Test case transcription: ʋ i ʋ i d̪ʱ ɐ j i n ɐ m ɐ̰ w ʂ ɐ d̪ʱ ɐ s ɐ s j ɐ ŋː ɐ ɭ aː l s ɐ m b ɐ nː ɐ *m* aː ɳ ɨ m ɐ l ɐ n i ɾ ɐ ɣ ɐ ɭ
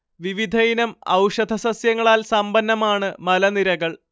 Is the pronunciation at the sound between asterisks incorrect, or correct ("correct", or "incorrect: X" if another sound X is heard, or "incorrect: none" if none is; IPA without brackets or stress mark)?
correct